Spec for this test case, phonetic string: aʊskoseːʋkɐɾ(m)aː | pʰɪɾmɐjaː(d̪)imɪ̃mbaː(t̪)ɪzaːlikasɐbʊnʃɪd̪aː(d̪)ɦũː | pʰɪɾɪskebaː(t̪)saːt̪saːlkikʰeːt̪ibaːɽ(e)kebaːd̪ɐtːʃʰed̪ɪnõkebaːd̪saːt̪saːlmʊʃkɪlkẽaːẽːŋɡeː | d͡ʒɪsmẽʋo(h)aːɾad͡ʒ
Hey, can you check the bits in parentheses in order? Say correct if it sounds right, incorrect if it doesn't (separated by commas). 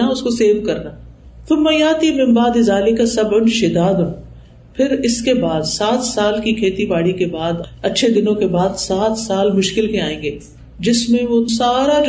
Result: incorrect, incorrect, incorrect, correct, incorrect, incorrect, incorrect